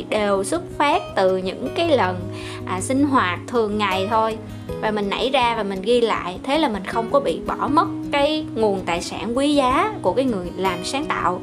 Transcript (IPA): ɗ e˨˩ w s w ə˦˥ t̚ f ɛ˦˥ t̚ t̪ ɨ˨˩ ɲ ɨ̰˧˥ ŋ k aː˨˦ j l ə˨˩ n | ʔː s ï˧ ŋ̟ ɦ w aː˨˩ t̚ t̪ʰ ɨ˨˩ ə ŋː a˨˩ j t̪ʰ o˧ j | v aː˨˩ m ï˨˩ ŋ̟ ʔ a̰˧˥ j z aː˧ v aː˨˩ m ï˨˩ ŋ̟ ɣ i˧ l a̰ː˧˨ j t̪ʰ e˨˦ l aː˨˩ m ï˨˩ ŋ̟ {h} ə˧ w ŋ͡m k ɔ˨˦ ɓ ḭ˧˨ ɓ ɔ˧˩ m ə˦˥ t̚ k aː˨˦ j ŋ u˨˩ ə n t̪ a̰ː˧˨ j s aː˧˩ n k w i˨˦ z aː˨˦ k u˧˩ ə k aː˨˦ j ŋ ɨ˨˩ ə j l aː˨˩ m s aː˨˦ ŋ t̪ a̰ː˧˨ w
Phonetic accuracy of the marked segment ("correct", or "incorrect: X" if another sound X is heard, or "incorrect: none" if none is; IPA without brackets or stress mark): incorrect: x